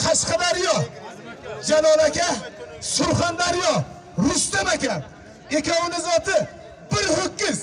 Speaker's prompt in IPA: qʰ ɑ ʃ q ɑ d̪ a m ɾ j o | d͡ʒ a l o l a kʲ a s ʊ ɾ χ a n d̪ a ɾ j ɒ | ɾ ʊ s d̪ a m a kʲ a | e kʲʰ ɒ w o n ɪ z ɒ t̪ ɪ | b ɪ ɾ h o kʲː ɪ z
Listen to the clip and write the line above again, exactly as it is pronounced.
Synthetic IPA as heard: qʰ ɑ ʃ q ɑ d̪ a ɾ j ɒ | d͡ʒ a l ɒ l a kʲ a s ʊ ɾ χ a n d̪ a ɾ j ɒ | ɾ ʊ s t̪ a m a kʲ a | e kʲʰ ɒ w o n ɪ z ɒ t̪ ɪ | b ɪ ɾ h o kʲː ɪ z